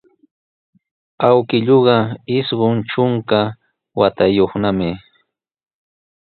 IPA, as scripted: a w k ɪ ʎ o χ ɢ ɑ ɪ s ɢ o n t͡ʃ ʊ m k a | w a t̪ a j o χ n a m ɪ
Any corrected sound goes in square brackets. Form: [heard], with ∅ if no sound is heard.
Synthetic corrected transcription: a w k ɪ ʎ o [∅] ɢ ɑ ɪ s ɢ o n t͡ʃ ʊ [ŋ] k a | w a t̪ a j o χ n a m ɪ